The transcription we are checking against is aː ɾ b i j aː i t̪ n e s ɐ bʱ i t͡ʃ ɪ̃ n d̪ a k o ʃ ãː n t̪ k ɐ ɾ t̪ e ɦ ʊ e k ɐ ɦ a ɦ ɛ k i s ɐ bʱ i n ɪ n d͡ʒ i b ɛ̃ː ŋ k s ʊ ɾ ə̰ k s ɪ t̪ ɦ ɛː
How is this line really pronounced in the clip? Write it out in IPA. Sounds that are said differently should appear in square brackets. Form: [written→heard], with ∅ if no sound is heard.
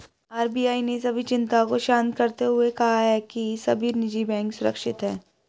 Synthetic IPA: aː ɾ b i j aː i [t̪→∅] n e s ɐ bʱ i t͡ʃ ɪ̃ n [d̪→t̪] a k o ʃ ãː n t̪ k ɐ ɾ t̪ e ɦ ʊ e k ɐ ɦ a ɦ ɛ k i s ɐ bʱ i n ɪ [n→∅] d͡ʒ i b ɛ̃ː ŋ k s ʊ ɾ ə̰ k [s→ʃ] ɪ t̪ ɦ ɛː